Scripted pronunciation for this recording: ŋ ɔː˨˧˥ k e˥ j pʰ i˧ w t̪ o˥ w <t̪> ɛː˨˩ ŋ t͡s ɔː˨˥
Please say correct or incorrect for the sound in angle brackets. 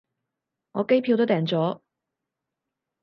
correct